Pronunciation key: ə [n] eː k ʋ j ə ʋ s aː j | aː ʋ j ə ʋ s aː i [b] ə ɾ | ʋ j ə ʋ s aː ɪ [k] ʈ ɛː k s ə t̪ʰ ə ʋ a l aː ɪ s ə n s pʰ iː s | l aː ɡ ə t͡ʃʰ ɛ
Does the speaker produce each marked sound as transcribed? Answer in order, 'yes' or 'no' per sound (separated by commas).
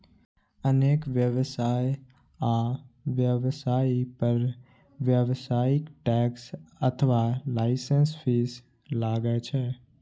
yes, no, yes